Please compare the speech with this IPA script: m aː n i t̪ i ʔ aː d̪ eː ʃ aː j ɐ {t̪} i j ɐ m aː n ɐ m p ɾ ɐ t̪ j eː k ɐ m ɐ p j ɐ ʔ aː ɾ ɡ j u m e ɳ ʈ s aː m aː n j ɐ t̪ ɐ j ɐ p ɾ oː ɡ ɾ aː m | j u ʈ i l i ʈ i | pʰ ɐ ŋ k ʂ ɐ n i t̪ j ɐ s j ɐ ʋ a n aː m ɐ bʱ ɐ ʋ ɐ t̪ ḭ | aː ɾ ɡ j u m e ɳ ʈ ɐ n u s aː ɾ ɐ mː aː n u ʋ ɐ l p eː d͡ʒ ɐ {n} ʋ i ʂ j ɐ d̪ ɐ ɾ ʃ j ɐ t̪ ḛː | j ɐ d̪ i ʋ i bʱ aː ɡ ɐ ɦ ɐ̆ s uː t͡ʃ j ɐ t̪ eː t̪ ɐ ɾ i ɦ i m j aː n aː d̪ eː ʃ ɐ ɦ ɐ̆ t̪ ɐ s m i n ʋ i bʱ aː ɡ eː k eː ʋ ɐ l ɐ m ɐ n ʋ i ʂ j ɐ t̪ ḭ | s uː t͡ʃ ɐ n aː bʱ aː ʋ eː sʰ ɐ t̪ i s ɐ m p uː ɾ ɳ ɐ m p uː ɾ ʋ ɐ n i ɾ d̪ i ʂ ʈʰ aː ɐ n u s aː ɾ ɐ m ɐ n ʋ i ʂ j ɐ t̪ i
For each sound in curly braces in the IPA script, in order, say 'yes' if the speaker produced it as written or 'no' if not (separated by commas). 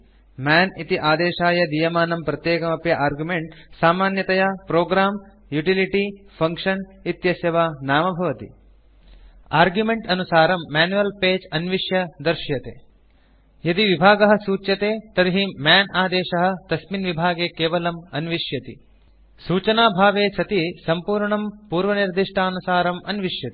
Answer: no, yes